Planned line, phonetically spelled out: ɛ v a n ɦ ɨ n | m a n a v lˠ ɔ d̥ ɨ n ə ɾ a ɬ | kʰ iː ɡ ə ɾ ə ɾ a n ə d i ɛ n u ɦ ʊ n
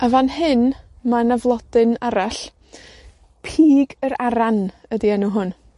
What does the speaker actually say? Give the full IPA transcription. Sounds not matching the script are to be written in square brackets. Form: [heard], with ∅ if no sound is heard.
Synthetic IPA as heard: [a] v a n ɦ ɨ n | m a n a v lˠ ɔ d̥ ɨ n [a] ɾ a ɬ | [pʰ] iː ɡ ə ɾ [a] ɾ a n ə d i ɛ n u ɦ ʊ n

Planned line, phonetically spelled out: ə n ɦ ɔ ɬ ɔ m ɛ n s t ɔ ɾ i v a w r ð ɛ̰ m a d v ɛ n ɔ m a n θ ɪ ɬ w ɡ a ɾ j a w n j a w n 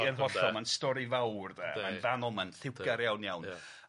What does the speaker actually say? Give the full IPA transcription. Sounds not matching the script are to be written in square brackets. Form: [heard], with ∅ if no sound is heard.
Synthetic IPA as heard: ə n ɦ ɔ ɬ ɔ m [a] n s t ɔ ɾ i v a w r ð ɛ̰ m a [n] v [a] n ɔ m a n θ ɪ [∅] w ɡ a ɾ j a w n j a w n

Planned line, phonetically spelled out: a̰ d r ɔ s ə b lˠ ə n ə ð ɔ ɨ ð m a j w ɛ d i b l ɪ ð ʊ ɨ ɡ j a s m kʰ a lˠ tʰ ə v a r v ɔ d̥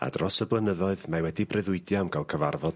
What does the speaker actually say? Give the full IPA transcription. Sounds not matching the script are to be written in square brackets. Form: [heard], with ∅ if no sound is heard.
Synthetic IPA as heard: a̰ d r ɔ s ə b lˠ ə n ə ð ɔ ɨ ð m a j w ɛ d i b [r] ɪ ð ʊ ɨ [d] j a [∅] m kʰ a lˠ [kʰ] ə v a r v ɔ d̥

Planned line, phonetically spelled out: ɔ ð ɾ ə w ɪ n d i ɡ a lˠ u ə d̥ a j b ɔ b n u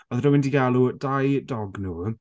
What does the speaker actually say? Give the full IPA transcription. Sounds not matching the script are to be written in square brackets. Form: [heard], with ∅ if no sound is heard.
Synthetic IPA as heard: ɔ ð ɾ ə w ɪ n d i ɡ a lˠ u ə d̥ a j [d] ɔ [ɡ] n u

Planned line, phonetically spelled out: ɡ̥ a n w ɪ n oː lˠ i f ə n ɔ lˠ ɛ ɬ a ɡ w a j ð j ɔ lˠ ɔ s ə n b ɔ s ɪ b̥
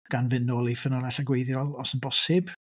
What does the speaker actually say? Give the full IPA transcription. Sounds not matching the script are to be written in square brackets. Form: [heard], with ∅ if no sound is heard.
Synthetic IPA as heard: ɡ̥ a n [v] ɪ n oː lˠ i f ə n ɔ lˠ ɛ ɬ a ɡ w [e] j ð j ɔ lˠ ɔ s ə n b ɔ s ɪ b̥

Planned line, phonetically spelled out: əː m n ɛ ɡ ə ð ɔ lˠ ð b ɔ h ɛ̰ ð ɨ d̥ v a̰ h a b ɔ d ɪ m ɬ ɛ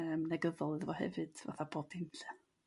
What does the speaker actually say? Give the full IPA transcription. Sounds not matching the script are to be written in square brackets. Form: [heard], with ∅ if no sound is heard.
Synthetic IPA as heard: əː m n ɛ ɡ ə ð ɔ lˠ ð [v] ɔ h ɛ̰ [v] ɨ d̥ v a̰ [θ] a b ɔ d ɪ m ɬ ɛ

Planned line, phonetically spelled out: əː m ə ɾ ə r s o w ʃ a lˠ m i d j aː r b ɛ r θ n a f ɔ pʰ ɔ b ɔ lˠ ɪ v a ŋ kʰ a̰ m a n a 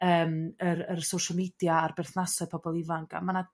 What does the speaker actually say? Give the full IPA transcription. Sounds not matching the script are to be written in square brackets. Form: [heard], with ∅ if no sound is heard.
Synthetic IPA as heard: əː m ə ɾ ə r s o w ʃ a lˠ m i d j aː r b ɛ r θ n a [s] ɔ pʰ ɔ b ɔ lˠ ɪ v a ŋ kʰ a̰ m a n a

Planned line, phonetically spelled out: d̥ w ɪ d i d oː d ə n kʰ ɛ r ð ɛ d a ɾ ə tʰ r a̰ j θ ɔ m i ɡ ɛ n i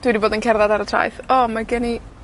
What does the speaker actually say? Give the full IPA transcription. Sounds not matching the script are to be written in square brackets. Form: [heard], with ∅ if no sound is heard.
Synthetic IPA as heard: d̥ w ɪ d i [b] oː d ə n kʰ ɛ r ð [a] d a ɾ ə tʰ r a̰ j θ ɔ m [a] ɡ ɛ n i

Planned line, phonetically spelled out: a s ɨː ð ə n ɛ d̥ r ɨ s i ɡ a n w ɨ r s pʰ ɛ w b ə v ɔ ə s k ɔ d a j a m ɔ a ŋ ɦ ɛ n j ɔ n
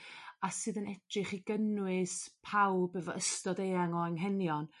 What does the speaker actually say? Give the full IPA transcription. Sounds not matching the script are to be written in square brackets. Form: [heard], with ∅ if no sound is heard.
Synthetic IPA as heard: a s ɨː ð ə n ɛ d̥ r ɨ [χ] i ɡ [ə] n w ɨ [∅] s pʰ [a] w b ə v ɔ ə s [t] ɔ d [e] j a [ŋ] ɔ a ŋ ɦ ɛ n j ɔ n

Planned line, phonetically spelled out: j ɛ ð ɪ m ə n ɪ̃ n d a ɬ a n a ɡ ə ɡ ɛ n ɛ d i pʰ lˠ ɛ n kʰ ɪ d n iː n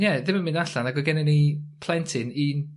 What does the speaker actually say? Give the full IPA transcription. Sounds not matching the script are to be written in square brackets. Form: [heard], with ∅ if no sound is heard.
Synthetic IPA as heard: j ɛ ð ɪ m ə [m] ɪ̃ n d a ɬ a n a ɡ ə ɡ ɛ n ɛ [n] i pʰ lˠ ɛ n [tʰ] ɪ [∅] n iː n

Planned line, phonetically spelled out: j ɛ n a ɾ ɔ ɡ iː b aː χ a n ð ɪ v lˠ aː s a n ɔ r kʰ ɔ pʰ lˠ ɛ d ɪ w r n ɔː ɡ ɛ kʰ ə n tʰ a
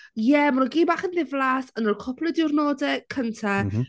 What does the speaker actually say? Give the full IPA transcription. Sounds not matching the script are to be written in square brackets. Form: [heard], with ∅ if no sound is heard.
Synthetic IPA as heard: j ɛ [m] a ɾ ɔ ɡ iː b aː χ [ə] n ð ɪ v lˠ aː s [ə] n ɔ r kʰ ɔ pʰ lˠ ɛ d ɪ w r n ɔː [d] ɛ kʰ ə n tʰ a

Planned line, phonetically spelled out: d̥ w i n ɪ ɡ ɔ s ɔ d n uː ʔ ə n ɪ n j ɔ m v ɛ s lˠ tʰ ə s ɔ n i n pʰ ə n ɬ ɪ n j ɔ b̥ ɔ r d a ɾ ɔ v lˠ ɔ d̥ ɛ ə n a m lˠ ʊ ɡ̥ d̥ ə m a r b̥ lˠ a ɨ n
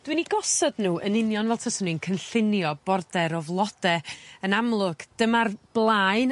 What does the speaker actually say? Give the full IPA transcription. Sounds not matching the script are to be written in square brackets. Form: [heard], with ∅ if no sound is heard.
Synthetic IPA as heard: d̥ w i n [i] ɡ ɔ s ɔ d n uː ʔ ə n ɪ n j ɔ [n] v ɛ [∅] lˠ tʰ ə s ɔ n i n [kʰ] ə n ɬ ɪ n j ɔ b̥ ɔ r d [ɛ] ɾ ɔ v lˠ ɔ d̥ ɛ ə n a m lˠ ʊ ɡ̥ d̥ ə m a r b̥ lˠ a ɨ n

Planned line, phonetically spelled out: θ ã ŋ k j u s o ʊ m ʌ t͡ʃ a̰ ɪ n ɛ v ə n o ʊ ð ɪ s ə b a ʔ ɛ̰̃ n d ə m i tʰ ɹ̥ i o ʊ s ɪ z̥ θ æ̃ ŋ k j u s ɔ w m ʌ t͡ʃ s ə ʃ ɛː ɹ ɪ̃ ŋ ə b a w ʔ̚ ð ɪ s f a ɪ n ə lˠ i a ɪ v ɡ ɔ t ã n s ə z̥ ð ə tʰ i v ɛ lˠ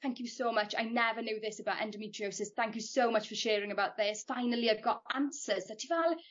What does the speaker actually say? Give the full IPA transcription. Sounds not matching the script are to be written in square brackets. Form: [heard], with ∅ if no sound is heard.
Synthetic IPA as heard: θ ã ŋ k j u s o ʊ m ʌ t͡ʃ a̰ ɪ n ɛ v ə n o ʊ ð ɪ s ə b a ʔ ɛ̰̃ n d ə m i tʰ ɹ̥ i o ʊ s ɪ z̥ θ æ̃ ŋ k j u s [o] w m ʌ t͡ʃ [f] ə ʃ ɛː ɹ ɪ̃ ŋ ə b a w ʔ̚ ð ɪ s f a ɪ n ə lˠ i a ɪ v ɡ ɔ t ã n s ə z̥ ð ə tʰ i v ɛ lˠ

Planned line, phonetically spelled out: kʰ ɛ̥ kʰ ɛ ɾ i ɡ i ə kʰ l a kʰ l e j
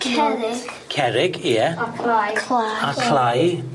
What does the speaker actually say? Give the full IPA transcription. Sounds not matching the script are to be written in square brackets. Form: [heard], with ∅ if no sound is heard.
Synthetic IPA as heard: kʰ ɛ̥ kʰ ɛ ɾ [ɪ] ɡ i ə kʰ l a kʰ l [a] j

